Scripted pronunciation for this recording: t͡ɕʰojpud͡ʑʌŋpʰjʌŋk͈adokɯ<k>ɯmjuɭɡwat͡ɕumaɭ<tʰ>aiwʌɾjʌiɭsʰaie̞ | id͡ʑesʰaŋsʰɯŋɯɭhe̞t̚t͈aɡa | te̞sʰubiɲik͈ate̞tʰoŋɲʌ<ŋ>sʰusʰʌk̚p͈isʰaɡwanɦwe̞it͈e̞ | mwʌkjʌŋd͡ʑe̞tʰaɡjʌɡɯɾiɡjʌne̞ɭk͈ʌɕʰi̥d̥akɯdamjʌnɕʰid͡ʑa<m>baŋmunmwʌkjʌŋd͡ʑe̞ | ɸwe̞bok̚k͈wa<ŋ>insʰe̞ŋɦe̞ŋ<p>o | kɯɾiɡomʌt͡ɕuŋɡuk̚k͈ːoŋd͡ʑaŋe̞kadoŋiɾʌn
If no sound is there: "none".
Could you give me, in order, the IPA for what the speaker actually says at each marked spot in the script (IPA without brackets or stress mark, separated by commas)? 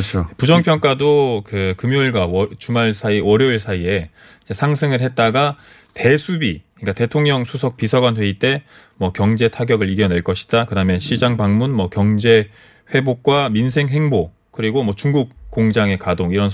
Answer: k, sʰ, ŋ, ŋ, m, b